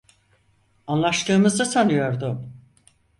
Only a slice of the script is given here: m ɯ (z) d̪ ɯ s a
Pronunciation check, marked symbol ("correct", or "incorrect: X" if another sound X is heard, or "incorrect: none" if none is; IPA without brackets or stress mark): correct